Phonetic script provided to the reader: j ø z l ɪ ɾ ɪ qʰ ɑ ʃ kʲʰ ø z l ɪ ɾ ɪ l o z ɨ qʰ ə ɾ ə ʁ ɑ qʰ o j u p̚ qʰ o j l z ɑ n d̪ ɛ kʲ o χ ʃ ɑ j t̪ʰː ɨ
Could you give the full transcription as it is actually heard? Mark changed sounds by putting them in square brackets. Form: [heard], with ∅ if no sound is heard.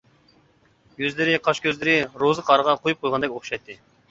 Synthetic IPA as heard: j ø z l ɪ ɾ ɪ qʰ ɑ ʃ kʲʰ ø z l ɪ ɾ ɪ [ɾ] o z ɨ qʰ [ɑ] ɾ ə ʁ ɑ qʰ o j u p̚ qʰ o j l [ʁ] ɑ n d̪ ɛ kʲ o χ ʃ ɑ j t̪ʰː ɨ